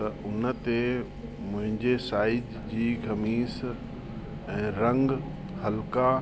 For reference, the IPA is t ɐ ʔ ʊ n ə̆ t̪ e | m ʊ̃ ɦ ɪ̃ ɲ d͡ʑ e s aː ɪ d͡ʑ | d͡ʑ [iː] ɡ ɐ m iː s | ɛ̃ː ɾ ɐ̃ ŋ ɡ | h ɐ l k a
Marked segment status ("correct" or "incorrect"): correct